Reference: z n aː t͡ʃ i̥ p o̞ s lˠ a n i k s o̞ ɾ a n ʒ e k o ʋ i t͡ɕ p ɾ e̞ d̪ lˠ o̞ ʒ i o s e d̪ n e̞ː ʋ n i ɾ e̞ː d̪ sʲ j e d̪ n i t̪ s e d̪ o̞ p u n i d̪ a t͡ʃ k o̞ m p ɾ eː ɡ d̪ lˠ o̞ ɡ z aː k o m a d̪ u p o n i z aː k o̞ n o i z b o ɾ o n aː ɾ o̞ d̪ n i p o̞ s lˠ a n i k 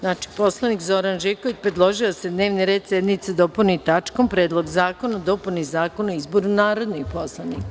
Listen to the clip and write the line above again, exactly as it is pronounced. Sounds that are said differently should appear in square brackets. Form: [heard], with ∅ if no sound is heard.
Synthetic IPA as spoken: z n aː t͡ʃ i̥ p o̞ s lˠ a n i k [z] o̞ ɾ a n ʒ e k o ʋ i t͡ɕ p ɾ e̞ d̪ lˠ o̞ ʒ i o s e d̪ n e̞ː ʋ n i ɾ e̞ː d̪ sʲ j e d̪ n i t̪ s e d̪ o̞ p u n i [t̪] a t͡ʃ k o̞ m p ɾ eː [∅] d̪ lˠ o̞ ɡ z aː k o [n] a d̪ [o] p [u] n i z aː k o̞ n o i z b o ɾ [u] n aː ɾ o̞ d̪ n i p o̞ s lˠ a n i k